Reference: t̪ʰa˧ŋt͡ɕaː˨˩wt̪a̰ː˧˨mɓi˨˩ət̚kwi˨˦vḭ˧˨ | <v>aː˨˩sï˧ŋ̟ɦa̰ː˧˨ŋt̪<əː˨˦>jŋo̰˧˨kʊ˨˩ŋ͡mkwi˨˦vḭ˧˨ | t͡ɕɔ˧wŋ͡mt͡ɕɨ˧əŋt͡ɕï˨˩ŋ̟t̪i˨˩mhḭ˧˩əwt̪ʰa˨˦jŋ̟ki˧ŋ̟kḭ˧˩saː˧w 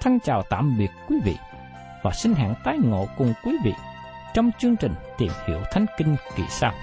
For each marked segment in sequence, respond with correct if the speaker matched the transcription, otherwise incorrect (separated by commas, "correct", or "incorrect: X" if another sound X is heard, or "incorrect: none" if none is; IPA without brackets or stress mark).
correct, incorrect: aː˨˦